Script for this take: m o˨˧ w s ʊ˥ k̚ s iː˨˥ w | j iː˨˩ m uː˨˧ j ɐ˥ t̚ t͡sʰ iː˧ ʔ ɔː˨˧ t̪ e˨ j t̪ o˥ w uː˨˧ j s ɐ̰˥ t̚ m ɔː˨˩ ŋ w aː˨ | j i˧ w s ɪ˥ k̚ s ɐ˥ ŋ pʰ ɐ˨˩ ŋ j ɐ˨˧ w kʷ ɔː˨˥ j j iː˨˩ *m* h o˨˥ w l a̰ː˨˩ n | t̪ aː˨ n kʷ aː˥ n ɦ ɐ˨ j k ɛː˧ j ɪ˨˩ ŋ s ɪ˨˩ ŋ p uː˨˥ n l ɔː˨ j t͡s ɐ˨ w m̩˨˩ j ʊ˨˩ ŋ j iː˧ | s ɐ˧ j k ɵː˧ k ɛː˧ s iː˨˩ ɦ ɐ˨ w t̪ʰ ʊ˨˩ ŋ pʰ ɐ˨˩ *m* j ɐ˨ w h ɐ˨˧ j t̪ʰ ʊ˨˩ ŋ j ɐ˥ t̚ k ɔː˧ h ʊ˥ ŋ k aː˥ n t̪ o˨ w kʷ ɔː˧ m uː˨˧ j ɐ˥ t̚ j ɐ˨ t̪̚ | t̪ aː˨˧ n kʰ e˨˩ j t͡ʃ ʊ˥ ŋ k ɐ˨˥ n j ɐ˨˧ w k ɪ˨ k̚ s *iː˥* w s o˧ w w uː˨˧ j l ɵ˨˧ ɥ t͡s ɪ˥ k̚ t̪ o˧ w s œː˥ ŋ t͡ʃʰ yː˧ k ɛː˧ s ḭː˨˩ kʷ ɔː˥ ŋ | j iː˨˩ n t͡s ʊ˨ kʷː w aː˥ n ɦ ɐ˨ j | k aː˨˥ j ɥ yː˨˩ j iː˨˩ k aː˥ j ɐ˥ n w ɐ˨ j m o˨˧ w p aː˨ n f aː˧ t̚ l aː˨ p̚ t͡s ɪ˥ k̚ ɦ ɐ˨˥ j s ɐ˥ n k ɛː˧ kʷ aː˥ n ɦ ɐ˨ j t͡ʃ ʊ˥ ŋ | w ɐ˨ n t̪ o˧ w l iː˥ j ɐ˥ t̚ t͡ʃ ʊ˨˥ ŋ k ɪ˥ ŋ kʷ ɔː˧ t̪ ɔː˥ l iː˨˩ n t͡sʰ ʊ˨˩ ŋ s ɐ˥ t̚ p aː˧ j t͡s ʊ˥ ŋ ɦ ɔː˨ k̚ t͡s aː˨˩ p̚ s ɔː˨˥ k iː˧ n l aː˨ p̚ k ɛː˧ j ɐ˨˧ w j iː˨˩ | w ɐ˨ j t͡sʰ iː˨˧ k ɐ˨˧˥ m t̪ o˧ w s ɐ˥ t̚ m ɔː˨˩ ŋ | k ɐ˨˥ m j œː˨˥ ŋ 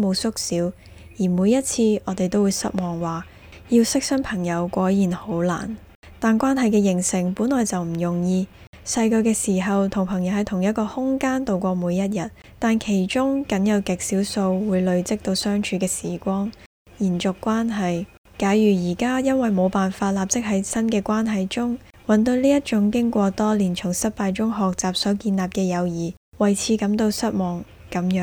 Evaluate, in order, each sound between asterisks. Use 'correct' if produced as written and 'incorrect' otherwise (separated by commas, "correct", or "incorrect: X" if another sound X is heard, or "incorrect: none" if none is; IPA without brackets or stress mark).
incorrect: n, incorrect: ŋ, incorrect: iː˨˥